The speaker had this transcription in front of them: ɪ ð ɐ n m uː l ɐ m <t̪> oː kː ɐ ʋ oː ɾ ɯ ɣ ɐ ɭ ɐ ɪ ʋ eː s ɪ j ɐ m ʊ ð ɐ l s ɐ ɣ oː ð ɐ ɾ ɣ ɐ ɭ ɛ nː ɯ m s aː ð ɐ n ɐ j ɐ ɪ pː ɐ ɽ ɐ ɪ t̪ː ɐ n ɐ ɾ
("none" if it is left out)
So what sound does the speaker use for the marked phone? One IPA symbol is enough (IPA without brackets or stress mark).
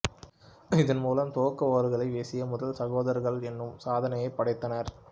t̪